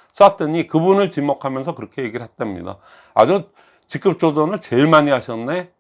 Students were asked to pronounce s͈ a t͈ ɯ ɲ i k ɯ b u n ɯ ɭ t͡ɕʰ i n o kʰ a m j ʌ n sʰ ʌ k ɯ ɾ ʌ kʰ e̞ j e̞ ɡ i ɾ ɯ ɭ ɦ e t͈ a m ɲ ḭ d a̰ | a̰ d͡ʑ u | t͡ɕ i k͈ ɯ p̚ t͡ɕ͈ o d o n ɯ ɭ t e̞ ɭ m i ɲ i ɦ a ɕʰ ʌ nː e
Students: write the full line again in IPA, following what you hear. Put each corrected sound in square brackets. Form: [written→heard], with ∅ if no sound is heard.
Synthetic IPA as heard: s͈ a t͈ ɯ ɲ i k ɯ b u n ɯ ɭ [t͡ɕʰ→t͡ɕ] i [n→m] o kʰ a m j ʌ n sʰ ʌ k ɯ ɾ ʌ kʰ e̞ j e̞ ɡ i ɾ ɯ ɭ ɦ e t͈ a m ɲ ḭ d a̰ | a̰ d͡ʑ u | t͡ɕ i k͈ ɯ p̚ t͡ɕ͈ o d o n ɯ ɭ [t→t͡ɕ] e̞ ɭ m [i→a] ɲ i ɦ a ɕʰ ʌ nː e

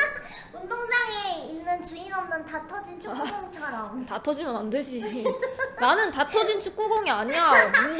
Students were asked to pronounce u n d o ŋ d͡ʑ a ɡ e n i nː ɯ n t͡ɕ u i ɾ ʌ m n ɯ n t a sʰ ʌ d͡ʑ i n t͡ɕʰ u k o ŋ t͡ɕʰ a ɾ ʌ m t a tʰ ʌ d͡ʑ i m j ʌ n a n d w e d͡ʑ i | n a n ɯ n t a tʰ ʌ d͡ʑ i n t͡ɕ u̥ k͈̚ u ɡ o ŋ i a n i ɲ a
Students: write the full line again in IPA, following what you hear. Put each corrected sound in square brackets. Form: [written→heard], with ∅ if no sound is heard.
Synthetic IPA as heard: u n d o ŋ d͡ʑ a [ɡ→ŋ] e [n→∅] i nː ɯ n t͡ɕ u i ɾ ʌ m n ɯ n t a [sʰ→tʰ] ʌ d͡ʑ i n t͡ɕʰ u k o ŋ t͡ɕʰ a ɾ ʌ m t a tʰ ʌ d͡ʑ i m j ʌ n a n d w e d͡ʑ i | n a n ɯ n t a tʰ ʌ d͡ʑ i n [t͡ɕ→t͡ɕʰ] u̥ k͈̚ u ɡ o ŋ i a [n→ɲ] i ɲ a

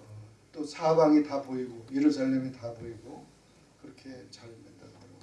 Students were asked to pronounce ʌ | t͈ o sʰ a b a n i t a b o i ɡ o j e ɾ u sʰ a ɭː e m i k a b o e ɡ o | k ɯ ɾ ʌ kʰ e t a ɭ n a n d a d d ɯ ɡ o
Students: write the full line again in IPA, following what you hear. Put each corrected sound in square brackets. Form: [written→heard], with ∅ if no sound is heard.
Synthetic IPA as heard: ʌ | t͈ o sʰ a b a [n→ŋ] i t a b o i ɡ o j e ɾ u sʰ a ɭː e m i [k→t] a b o [e→i] ɡ o | k ɯ ɾ ʌ kʰ e [t→t͡ɕ] a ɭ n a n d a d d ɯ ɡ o

